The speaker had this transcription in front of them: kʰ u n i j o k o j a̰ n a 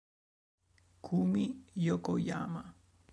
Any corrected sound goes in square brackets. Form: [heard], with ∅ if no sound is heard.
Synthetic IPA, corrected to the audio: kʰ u [m] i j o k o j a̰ [m] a